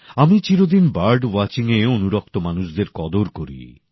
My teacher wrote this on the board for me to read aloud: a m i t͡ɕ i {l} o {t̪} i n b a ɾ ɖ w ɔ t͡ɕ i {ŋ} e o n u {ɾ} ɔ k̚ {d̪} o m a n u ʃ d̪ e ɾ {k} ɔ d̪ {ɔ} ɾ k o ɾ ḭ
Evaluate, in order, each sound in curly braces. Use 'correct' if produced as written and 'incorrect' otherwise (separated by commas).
incorrect, incorrect, correct, correct, incorrect, correct, incorrect